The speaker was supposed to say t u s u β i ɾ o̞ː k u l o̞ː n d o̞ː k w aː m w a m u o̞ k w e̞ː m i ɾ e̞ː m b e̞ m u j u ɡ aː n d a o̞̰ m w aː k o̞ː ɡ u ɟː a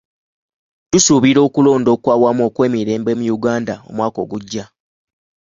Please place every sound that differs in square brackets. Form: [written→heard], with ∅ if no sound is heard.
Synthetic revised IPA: t u s u β i ɾ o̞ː k u l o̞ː n d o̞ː k w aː [m→∅] w a m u o̞ k w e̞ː m i ɾ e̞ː m b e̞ m u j u ɡ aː n d a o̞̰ m w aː k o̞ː ɡ u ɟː a

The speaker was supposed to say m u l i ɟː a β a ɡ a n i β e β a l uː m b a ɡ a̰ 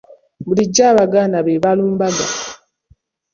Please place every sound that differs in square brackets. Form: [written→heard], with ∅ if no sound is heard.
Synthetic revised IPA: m u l i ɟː a β a ɡ a n [i→a] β e β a l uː m b a ɡ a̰

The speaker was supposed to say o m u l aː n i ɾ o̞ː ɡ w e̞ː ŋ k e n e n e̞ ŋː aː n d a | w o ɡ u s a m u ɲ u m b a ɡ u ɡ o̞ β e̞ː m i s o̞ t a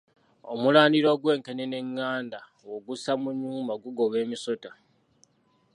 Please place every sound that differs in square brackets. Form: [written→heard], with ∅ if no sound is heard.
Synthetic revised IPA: o m u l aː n i ɾ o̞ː ɡ w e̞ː ŋ k e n e n e̞ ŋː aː n d a | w o ɡ u s a m u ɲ [u→uː] m b a ɡ u ɡ o̞ β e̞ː m i s o̞ t a

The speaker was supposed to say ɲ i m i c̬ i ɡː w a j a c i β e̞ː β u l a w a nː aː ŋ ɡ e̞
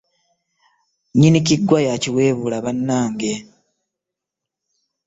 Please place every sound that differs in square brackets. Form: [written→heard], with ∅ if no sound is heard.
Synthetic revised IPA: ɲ i [m→n] i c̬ i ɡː w a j a c i [β→w] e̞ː β u l a [w→β] a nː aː ŋ ɡ e̞

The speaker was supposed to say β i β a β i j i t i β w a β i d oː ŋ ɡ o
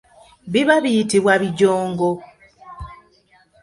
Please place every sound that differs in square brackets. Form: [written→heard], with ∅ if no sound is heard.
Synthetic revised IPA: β i β a β i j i t i β w a β i [d→ɟ] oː ŋ ɡ o

